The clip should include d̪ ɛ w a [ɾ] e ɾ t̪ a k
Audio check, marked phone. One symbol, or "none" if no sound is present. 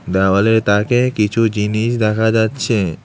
l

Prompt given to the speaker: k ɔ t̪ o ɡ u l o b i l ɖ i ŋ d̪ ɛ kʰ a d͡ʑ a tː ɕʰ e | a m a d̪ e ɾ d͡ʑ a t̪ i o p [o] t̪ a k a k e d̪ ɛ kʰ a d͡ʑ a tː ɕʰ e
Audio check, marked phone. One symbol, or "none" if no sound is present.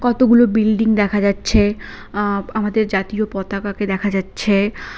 ɔ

